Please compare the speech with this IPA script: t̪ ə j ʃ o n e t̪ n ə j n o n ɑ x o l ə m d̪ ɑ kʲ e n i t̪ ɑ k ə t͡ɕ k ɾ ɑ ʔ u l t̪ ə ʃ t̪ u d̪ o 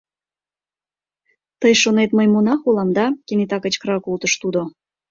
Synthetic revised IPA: t̪ ə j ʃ o n e t̪ m ə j m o n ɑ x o l ɑ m d̪ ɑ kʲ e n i t̪ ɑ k ə t͡ɕ k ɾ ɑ k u l t̪ ə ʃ t̪ u d̪ o